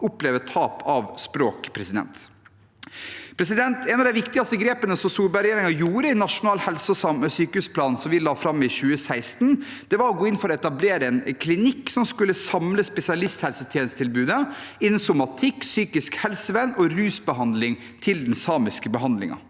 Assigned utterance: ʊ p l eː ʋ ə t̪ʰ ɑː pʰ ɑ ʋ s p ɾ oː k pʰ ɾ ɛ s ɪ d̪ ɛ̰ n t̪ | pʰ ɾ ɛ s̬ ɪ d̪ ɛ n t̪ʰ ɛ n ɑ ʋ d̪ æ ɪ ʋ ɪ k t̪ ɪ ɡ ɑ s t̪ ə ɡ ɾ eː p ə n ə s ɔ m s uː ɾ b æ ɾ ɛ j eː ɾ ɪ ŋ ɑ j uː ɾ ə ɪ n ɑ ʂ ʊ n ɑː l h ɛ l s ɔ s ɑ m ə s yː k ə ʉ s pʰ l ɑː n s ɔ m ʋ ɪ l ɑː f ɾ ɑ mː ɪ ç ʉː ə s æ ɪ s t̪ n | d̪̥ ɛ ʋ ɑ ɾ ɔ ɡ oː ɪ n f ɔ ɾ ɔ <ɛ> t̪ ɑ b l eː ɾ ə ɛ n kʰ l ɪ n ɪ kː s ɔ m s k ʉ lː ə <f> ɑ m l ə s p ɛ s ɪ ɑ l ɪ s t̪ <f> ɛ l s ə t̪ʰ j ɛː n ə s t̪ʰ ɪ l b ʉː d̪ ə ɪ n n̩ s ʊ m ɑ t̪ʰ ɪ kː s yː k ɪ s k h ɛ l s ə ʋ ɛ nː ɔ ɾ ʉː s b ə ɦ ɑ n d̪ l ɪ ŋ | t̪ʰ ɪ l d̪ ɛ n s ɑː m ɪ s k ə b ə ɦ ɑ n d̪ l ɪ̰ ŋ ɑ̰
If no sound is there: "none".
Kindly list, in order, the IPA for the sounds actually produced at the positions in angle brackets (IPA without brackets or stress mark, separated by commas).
ɛ, s, h